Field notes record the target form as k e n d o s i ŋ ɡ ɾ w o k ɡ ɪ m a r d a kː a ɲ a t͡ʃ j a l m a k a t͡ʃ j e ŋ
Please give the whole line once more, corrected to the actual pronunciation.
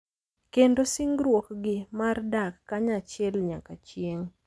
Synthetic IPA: k e n d o s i ŋ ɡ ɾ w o k ɡ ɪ m a r d a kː a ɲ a t͡ʃ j ɛ l ɲ a k a t͡ʃ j e ŋ